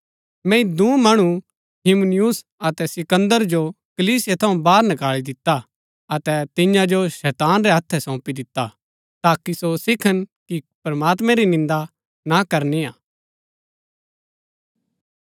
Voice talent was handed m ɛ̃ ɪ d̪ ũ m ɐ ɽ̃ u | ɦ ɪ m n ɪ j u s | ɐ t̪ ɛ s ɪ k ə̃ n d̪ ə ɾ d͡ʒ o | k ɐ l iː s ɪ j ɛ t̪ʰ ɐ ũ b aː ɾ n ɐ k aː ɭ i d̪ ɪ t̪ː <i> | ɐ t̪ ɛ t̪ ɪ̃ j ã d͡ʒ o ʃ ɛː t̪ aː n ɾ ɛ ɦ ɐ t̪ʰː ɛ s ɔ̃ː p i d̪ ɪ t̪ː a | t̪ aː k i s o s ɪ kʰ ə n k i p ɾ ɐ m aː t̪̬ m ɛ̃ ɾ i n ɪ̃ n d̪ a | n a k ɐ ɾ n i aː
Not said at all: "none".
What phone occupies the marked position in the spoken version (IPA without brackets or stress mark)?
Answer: a